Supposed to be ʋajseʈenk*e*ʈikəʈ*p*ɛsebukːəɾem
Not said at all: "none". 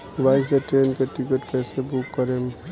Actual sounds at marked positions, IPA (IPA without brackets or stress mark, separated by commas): e, k